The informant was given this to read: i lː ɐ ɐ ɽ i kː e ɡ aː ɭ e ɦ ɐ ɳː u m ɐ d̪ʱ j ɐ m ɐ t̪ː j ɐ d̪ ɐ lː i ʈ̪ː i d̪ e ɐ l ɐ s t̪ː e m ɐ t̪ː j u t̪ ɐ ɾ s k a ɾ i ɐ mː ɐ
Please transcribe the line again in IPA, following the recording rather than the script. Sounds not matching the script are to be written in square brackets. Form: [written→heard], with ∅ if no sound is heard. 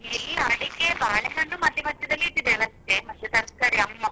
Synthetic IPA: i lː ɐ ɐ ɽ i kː e [ɡ→b] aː ɭ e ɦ ɐ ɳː u m ɐ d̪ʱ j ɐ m ɐ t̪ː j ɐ d̪ ɐ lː i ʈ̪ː i d̪ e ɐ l ɐ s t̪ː e m ɐ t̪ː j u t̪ ɐ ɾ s k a ɾ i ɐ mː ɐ